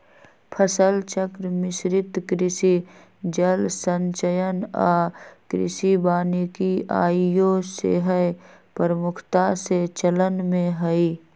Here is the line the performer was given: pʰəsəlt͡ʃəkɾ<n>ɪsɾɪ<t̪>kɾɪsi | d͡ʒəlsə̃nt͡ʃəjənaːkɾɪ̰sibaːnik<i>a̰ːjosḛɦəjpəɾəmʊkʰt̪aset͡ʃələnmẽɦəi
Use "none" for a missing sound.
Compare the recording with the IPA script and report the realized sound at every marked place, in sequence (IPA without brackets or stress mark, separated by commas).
m, t̪, i